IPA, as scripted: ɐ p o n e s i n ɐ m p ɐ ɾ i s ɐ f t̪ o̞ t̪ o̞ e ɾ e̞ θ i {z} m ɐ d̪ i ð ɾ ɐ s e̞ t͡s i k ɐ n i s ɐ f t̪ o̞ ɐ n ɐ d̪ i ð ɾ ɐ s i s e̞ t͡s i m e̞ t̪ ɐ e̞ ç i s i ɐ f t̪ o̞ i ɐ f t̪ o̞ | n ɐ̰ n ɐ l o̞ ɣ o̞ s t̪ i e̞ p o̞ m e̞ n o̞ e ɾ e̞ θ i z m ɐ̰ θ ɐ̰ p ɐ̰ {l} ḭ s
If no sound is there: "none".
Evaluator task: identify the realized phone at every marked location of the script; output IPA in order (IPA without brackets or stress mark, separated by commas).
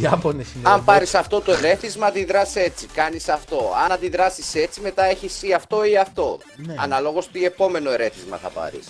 z, ɾ